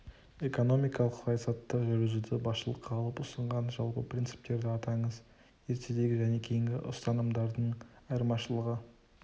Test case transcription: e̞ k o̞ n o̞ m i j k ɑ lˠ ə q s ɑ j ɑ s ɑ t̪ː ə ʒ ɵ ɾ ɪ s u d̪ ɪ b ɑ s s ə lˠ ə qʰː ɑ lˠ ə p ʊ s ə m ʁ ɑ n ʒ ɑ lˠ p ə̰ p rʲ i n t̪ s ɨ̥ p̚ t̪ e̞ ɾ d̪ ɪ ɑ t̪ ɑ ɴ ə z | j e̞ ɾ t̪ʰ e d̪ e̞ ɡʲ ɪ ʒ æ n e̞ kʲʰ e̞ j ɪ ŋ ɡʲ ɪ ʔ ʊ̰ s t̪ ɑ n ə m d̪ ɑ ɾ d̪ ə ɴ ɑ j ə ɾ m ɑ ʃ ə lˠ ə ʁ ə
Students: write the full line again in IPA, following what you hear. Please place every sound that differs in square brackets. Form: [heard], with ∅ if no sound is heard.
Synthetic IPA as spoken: e̞ k o̞ n o̞ m i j k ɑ lˠ ə q s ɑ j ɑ s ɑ t̪ː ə ʒ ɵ ɾ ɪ [z] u d̪ ɪ b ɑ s [ʃ] ə lˠ ə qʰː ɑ lˠ ə p ʊ s ə [ɴ] ʁ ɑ n ʒ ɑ lˠ p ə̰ p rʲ i n t̪ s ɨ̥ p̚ t̪ e̞ ɾ d̪ ɪ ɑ t̪ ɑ ɴ ə z | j e̞ ɾ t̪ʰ e d̪ e̞ ɡʲ ɪ ʒ æ n e̞ kʲʰ e̞ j ɪ ŋ ɡʲ ɪ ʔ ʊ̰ s t̪ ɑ n ə m d̪ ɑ ɾ d̪ ə ɴ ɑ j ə ɾ m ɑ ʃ ə lˠ ə ʁ ə